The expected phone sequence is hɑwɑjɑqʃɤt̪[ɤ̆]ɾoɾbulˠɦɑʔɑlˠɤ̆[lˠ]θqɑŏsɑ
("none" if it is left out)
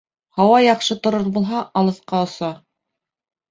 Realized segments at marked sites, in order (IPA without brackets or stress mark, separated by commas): ŏ, none